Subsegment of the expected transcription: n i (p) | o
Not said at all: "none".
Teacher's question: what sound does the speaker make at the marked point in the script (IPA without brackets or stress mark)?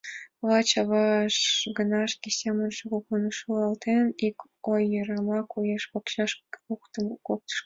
k